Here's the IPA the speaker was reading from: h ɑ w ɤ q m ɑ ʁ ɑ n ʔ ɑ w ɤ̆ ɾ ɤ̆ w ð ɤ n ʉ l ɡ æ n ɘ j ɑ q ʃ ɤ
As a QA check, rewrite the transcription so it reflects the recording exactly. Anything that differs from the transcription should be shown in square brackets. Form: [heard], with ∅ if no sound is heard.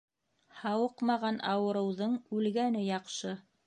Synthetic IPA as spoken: h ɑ w ɤ q m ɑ ʁ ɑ n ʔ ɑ w ɤ̆ ɾ ɤ̆ w ð ɤ [ɴ] ʉ l ɡ æ n ɘ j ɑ q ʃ ɤ